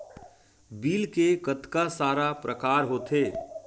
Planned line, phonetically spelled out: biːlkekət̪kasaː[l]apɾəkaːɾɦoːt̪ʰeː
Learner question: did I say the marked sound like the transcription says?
no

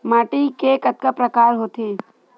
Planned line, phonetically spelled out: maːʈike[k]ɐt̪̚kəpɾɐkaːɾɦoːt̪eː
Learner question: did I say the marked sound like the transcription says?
yes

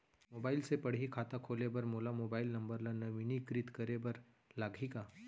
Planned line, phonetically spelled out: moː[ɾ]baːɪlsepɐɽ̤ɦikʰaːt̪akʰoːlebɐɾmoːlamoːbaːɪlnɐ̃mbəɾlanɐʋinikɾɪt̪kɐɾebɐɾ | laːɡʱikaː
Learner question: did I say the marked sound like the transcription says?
no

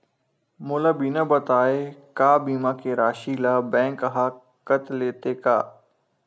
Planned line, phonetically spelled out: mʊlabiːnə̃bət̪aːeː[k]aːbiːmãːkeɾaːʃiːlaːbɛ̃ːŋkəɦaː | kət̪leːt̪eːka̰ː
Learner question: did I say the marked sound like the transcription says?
yes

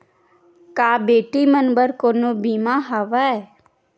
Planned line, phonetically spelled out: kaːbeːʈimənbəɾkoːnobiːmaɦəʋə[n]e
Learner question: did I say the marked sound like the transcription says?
no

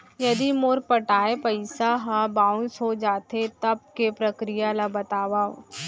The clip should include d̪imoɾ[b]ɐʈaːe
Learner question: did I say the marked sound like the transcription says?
no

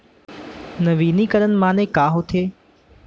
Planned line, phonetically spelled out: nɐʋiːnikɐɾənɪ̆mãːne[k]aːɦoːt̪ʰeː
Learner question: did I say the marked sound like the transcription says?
yes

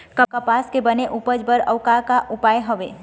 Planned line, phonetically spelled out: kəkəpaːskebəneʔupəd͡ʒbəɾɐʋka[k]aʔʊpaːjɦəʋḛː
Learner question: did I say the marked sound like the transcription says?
yes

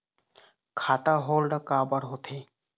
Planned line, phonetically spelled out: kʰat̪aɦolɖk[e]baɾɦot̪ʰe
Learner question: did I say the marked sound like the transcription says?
no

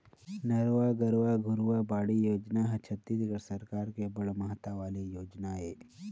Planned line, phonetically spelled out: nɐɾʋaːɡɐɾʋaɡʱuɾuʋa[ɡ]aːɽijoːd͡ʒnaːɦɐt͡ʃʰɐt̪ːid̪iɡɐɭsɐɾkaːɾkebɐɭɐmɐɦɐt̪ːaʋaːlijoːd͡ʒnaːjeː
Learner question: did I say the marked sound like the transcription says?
no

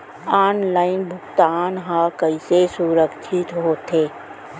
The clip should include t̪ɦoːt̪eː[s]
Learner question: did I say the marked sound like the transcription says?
no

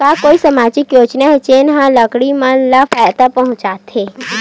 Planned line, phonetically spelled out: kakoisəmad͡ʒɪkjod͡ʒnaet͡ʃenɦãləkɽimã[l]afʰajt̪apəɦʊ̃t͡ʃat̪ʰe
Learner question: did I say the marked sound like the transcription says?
yes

